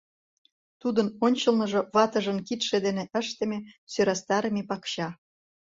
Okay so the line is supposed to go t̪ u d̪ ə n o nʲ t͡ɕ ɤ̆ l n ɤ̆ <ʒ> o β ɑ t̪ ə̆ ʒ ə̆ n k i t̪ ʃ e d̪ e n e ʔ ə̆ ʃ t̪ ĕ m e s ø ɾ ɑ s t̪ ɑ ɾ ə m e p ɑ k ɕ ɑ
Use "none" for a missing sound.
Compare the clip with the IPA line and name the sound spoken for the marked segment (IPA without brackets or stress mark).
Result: ʒ